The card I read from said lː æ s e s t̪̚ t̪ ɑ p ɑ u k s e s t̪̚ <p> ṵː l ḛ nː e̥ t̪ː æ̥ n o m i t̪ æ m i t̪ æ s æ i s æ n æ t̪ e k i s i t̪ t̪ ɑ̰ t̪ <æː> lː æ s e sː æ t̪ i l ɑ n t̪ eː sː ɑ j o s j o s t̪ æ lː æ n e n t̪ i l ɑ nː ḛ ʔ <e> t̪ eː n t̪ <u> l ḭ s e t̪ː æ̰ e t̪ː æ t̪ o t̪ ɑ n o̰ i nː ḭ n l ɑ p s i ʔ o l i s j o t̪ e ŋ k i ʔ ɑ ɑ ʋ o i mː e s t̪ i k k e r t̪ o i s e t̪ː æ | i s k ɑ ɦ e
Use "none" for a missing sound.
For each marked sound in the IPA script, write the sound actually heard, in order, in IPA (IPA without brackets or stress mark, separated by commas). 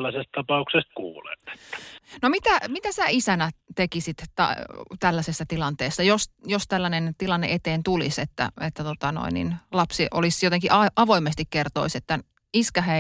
k, æ, e, u